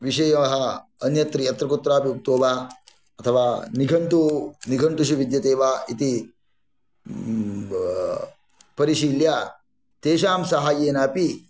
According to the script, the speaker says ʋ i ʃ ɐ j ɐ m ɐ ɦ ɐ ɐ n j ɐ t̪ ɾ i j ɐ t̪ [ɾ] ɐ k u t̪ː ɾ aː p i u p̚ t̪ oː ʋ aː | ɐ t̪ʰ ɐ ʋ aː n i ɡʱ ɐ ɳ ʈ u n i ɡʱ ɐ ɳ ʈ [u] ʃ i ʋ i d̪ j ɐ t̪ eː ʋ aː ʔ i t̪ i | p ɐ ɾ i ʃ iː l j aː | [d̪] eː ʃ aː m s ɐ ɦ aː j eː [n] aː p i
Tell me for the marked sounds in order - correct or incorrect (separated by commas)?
correct, correct, incorrect, correct